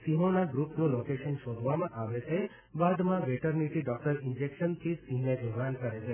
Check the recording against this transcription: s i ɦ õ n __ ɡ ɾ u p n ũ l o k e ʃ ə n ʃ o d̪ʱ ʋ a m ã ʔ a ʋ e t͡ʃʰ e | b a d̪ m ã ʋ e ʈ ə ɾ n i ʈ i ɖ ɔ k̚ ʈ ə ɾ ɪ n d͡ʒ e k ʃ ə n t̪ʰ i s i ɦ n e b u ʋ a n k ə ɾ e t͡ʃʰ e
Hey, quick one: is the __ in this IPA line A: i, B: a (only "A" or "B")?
B